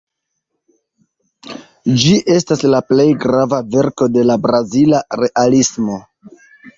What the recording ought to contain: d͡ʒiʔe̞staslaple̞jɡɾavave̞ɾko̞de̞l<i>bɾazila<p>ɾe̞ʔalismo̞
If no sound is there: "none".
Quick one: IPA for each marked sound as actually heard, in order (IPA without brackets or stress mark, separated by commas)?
a, none